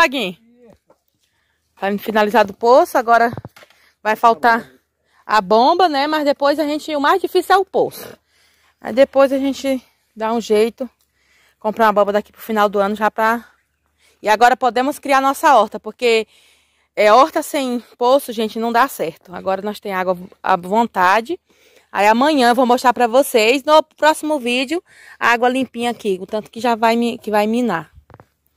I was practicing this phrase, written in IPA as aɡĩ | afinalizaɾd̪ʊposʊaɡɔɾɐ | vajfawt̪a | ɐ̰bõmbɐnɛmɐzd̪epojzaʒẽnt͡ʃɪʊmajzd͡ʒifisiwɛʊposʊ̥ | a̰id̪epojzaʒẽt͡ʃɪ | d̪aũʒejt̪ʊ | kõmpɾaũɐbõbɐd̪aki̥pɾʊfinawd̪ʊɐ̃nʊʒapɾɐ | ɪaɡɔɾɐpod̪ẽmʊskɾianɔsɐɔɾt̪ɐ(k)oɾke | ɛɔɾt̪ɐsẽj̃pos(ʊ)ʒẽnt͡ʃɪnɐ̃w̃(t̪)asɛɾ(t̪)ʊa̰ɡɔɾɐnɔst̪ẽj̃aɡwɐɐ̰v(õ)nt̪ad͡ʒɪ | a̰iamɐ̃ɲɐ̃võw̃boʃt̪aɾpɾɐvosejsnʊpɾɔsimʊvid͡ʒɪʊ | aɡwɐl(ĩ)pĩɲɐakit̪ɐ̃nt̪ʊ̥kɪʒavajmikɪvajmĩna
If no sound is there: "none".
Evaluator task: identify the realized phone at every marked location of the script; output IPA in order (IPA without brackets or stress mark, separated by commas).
p, ʊ, d̪, t̪, õ, ĩ